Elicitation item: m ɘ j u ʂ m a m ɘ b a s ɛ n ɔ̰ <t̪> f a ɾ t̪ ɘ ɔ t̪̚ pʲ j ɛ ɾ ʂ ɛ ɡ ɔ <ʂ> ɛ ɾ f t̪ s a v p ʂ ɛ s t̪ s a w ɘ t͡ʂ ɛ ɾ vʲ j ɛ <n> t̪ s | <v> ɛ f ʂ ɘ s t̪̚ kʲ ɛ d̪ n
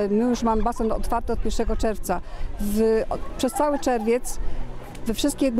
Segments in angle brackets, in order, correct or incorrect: correct, incorrect: t͡ʂ, incorrect: none, correct

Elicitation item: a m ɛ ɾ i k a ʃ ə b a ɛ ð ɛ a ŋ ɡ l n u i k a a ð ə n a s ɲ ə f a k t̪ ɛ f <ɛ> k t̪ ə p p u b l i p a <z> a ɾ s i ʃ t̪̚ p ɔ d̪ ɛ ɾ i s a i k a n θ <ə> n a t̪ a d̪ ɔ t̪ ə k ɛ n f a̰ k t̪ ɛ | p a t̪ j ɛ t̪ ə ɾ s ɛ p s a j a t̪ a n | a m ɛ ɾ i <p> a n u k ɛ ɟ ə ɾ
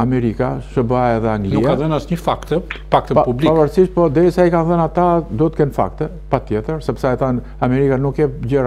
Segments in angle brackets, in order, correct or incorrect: incorrect: a, incorrect: v, correct, incorrect: k

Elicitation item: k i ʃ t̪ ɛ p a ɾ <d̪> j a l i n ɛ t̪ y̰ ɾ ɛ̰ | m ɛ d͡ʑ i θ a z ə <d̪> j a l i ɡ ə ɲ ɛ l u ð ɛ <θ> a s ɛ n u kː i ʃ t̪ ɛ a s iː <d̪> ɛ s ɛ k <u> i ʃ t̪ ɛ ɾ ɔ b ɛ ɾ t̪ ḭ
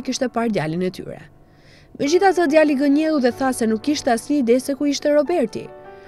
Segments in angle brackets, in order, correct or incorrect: correct, correct, correct, correct, correct

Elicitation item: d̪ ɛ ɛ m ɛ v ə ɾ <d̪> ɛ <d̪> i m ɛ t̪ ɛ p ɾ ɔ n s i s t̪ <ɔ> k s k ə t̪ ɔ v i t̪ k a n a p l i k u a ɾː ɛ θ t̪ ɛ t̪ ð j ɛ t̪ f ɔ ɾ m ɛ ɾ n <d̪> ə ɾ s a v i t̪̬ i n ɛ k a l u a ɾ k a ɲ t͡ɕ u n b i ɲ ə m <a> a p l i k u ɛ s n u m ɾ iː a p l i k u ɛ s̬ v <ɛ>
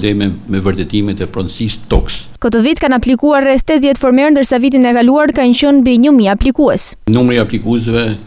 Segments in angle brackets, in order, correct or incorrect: incorrect: t̪, incorrect: t̪, correct, correct, incorrect: i, correct

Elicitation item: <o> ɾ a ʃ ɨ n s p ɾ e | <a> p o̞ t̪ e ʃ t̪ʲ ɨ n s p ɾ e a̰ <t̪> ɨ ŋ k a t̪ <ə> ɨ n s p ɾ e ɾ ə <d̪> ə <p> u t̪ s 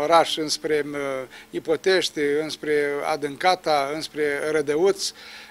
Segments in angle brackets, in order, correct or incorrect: correct, incorrect: i, incorrect: d̪, incorrect: a, correct, incorrect: none

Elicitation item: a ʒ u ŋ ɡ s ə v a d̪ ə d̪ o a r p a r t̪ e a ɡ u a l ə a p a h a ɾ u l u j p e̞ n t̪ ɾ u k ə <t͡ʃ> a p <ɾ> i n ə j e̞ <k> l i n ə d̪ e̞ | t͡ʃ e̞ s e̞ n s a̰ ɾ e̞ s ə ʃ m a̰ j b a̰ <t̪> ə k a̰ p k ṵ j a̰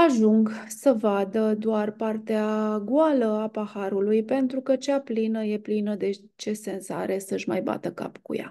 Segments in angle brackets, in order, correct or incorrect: correct, incorrect: l, incorrect: p, correct

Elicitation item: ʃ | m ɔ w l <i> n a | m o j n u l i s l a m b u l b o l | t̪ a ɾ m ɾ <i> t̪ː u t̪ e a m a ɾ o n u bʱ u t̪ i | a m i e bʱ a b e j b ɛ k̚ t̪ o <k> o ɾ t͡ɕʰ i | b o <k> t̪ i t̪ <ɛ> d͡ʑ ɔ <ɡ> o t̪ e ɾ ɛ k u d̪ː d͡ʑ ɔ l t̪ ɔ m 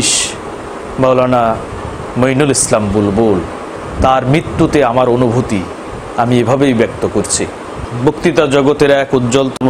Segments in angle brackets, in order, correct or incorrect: incorrect: a, correct, correct, correct, incorrect: a, correct

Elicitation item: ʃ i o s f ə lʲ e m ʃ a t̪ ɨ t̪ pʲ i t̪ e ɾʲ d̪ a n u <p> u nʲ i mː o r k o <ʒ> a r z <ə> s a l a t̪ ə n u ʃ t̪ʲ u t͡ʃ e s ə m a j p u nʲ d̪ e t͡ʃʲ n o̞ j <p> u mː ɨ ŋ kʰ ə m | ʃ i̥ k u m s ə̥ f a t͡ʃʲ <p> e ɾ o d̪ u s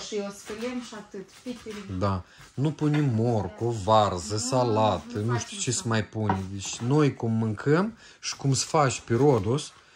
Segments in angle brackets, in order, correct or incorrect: correct, incorrect: v, correct, incorrect: k, correct

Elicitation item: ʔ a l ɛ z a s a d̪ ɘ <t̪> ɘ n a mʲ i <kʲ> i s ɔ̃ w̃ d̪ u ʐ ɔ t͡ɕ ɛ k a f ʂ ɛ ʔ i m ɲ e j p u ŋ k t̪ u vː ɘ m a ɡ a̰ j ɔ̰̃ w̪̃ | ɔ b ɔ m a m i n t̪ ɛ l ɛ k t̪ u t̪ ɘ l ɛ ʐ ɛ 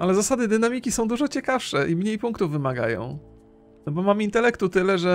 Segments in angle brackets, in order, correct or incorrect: incorrect: d̪, correct

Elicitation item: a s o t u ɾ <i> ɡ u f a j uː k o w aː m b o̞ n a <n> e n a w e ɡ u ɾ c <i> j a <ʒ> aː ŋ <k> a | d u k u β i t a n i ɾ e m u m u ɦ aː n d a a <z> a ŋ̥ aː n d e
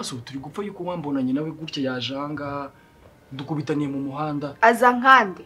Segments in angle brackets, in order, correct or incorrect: correct, incorrect: ɲ, incorrect: a, correct, incorrect: ɡ, correct

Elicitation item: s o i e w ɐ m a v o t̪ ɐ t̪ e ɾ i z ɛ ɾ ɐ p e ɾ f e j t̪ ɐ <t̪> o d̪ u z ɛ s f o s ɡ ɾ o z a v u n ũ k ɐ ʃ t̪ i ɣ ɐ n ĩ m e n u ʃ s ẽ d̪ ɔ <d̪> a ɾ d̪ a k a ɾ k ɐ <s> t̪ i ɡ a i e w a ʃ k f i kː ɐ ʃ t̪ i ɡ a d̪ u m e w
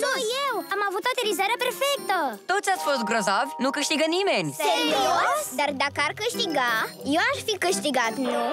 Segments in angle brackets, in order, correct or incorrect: correct, correct, incorrect: ʃ

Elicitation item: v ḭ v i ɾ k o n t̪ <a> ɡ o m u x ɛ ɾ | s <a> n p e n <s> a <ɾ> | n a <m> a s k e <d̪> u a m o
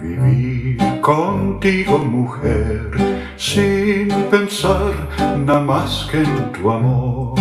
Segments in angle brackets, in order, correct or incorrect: incorrect: i, incorrect: i, correct, correct, correct, incorrect: t̪

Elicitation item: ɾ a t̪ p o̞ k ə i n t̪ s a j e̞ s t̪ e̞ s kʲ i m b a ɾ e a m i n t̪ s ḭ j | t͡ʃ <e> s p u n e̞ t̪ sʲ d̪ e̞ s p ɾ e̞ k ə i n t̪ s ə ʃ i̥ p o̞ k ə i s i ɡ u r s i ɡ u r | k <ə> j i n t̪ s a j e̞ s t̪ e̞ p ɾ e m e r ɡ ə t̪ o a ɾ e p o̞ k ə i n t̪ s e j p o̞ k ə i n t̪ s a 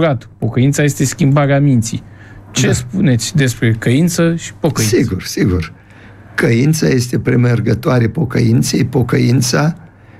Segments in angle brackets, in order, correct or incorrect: correct, correct

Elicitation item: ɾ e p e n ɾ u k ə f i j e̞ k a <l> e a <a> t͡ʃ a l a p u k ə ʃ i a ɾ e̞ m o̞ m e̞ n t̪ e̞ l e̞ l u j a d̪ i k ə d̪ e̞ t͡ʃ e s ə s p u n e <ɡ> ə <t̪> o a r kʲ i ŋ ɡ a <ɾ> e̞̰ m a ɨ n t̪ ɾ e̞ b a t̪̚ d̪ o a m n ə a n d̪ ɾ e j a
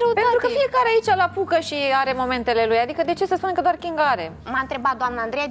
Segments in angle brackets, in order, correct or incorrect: incorrect: ɾ, incorrect: i, incorrect: k, incorrect: d̪, correct

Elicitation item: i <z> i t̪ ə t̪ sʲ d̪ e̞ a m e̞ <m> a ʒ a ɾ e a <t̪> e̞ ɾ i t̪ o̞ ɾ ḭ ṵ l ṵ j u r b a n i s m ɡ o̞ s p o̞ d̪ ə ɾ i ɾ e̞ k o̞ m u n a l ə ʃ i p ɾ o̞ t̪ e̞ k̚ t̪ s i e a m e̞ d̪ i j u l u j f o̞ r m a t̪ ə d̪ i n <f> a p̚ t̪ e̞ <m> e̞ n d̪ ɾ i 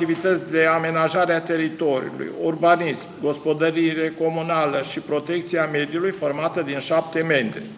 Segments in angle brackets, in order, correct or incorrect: incorrect: v, incorrect: n, correct, incorrect: ʃ, correct

